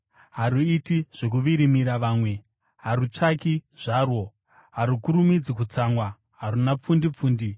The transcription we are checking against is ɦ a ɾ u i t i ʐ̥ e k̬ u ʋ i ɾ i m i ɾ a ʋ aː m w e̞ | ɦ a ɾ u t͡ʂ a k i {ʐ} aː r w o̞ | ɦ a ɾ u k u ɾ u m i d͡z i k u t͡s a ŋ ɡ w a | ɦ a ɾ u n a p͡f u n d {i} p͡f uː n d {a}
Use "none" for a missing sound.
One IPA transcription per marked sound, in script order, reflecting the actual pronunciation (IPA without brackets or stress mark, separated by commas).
ʐ, i, i